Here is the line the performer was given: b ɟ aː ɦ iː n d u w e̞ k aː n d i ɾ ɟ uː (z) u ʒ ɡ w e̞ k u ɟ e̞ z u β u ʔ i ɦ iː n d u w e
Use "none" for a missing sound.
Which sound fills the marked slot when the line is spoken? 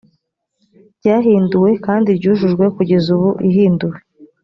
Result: ʒ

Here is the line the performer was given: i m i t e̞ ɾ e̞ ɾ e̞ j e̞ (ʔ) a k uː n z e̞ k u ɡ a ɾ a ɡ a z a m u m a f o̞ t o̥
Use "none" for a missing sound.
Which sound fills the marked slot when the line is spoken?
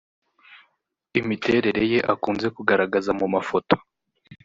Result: ʔ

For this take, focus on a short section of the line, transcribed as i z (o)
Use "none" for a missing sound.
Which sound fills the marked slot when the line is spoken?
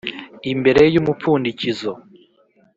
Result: o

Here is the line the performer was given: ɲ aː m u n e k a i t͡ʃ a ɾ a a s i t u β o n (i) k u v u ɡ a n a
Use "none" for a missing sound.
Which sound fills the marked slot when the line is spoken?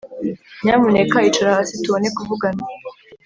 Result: e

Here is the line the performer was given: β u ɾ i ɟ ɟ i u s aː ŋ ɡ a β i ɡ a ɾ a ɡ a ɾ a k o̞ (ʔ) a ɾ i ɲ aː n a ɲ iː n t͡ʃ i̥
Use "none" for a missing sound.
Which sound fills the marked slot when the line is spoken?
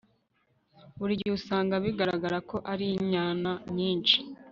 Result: ʔ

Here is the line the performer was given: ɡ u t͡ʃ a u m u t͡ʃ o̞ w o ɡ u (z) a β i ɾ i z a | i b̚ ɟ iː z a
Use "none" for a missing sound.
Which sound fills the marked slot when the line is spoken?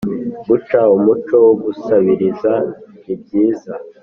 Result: s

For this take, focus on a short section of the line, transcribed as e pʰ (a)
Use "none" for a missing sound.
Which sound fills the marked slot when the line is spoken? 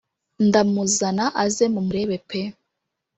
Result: e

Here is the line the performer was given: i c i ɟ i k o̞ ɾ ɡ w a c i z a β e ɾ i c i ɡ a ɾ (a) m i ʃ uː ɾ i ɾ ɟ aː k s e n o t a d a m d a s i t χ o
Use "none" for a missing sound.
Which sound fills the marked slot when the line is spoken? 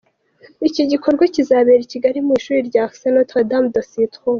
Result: i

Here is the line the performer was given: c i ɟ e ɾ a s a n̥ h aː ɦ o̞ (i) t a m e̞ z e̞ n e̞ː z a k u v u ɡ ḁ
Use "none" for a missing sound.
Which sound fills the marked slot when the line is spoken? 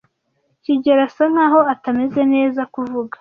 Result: a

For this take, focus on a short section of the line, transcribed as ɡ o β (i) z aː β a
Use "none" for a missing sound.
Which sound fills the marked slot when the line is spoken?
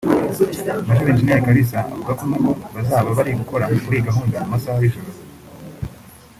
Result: a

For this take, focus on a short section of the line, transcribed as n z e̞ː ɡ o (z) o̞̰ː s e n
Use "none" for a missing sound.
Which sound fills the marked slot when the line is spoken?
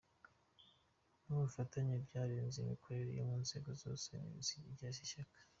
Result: z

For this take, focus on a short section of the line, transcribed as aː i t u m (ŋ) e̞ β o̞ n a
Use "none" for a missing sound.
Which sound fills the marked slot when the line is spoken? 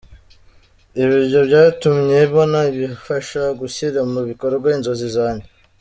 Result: ɲ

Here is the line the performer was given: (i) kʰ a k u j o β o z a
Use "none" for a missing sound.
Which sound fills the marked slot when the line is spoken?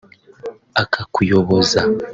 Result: a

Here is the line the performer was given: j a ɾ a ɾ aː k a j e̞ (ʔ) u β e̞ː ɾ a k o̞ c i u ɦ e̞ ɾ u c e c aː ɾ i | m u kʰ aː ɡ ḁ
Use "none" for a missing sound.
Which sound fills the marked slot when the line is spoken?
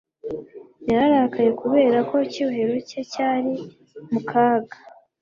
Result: k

